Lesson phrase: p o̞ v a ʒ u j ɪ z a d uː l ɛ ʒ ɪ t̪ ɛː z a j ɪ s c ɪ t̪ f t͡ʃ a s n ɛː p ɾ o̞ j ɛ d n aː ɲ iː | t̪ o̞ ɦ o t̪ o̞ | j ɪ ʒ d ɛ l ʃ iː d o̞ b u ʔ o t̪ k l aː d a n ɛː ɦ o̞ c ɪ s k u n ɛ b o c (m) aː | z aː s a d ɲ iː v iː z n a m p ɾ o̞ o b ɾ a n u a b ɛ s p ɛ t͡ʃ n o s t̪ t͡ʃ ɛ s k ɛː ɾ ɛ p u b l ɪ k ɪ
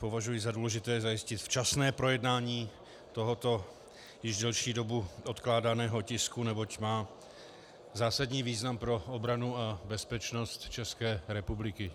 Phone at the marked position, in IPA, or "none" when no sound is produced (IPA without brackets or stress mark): m